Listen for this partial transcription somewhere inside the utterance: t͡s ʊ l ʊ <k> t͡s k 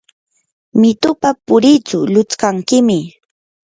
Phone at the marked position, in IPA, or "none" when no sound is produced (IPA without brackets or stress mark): none